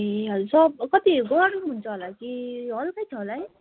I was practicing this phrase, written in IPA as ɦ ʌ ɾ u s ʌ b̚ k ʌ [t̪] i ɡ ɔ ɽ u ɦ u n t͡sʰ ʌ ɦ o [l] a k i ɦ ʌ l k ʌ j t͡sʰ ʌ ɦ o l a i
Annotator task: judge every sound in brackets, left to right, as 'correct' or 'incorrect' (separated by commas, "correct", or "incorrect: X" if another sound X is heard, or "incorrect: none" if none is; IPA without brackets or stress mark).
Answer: correct, correct